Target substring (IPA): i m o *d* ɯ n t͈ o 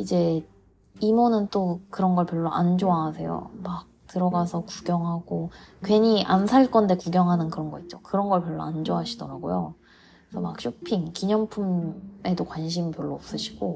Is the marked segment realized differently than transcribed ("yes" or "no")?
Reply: yes